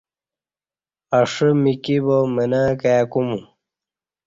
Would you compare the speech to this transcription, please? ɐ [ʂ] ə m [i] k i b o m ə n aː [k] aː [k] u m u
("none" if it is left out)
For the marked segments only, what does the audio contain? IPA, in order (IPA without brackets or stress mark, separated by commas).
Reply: ʂ, i, k, k